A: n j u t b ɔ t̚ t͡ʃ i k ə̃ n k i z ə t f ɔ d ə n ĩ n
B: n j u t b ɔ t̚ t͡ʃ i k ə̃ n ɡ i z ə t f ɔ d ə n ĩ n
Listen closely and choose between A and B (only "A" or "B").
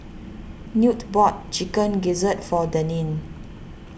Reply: B